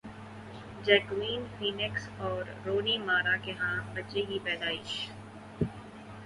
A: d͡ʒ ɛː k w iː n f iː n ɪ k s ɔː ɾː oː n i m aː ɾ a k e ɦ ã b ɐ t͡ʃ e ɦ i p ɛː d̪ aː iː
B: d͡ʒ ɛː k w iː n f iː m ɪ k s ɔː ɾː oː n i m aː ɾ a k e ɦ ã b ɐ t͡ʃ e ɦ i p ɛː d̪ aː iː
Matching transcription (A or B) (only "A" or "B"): A